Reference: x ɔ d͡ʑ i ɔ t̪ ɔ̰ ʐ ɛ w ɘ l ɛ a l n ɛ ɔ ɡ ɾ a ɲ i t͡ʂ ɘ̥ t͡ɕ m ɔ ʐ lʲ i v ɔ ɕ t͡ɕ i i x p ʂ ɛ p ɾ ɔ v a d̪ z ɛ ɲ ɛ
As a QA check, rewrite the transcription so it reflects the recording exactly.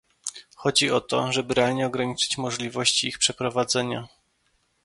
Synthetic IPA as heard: x ɔ d͡ʑ i ɔ t̪ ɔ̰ ʐ ɛ b ɘ ɾ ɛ a l ɲ ɛ ɔ ɡ ɾ a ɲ i t͡ʂ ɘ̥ t͡ɕ m ɔ ʐ lʲ i v ɔ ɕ t͡ɕ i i x p ʂ ɛ p ɾ ɔ v a d̪ z ɛ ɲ a